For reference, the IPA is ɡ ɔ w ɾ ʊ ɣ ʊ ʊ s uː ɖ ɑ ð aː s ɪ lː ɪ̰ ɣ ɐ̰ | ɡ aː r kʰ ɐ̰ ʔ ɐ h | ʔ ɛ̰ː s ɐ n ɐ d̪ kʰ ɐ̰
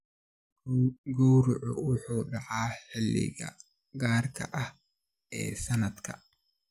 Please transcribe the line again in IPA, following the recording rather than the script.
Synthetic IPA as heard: ɡ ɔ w ɾ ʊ ʕ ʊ ʊ ħ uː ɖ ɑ ʕ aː ħ ɪ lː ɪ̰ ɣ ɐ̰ | ɡ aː r kʰ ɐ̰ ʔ ɐ h | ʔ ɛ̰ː s ɐ n ɐ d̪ kʰ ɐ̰